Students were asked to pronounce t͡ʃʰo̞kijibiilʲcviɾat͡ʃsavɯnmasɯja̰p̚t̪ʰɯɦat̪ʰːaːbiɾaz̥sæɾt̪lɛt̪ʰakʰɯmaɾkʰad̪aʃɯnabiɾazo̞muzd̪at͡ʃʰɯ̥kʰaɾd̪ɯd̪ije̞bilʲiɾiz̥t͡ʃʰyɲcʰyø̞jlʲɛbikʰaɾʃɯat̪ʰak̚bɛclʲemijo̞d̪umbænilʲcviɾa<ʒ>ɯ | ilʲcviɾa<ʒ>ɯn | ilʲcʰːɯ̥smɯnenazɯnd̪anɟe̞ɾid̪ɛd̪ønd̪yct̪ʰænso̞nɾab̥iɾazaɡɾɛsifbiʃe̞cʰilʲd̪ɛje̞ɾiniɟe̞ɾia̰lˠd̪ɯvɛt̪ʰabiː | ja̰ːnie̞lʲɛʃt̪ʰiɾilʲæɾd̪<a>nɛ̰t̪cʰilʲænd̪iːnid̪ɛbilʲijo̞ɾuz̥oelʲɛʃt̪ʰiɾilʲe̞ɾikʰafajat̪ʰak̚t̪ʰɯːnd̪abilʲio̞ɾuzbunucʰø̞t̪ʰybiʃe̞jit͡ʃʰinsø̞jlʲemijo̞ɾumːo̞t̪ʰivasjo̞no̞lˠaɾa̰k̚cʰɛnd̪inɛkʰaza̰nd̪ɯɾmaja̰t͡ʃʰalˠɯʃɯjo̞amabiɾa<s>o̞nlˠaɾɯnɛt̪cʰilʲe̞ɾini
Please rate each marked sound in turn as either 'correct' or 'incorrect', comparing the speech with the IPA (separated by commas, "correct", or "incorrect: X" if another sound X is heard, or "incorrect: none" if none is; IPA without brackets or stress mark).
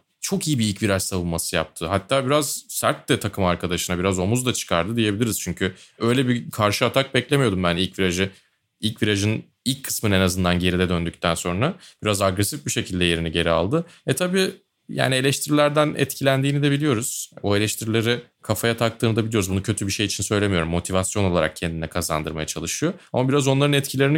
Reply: correct, correct, incorrect: æ, incorrect: z